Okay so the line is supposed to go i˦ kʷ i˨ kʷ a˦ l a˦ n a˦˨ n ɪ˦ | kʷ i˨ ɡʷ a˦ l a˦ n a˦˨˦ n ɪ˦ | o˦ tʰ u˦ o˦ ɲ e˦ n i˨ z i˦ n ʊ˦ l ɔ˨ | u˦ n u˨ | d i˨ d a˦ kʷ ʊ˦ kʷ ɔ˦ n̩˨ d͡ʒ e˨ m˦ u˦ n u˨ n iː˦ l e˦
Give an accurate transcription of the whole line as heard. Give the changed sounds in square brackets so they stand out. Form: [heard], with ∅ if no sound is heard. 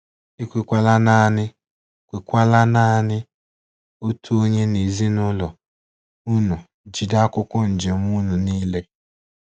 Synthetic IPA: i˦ kʷ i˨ kʷ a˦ l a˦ n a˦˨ n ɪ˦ | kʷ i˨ [kʷ] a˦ l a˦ n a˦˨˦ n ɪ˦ | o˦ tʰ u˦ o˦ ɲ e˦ n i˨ z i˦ n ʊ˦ l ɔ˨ | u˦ n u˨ | [d͡ʒ] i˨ d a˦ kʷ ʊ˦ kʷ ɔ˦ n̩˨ d͡ʒ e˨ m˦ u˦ n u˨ n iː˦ l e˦